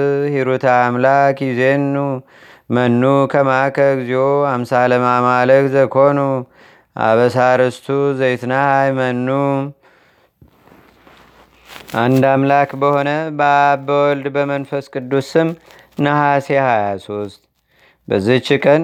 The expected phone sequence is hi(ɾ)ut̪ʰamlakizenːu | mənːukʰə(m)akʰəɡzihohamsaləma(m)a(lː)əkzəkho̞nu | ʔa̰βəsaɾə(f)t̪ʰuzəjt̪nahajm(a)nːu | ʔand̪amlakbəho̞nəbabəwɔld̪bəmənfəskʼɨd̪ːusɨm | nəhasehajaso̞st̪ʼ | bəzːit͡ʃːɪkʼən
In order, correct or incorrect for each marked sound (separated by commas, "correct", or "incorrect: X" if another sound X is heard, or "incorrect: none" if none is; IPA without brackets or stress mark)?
correct, correct, correct, incorrect: l, incorrect: s, incorrect: ə